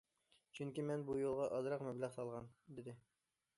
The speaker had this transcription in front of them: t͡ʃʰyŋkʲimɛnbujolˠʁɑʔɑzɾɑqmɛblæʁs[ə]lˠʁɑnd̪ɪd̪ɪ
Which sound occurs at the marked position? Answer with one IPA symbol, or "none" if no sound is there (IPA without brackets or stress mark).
ɑ